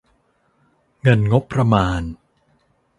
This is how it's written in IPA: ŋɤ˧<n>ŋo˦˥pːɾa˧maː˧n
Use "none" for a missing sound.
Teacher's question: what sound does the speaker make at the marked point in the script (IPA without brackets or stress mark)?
n